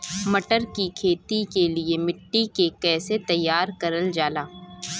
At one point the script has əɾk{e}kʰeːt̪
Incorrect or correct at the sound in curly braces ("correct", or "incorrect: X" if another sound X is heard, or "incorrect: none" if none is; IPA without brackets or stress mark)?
incorrect: i